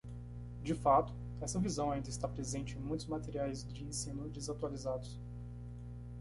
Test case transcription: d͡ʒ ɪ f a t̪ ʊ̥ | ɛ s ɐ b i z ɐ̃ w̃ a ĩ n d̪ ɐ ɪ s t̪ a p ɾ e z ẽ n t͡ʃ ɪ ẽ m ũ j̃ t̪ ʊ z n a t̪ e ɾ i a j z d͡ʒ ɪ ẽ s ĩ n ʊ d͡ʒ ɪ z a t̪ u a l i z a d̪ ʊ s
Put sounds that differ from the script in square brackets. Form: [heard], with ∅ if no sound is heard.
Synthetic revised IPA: d͡ʒ ɪ f a t̪ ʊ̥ | ɛ s ɐ [v] i z ɐ̃ w̃ a ĩ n d̪ ɐ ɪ s t̪ a p ɾ e z ẽ n t͡ʃ ɪ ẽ m ũ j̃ t̪ ʊ z [m] a t̪ e ɾ i a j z d͡ʒ ɪ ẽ s ĩ n ʊ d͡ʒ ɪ z a t̪ u a l i z a d̪ ʊ s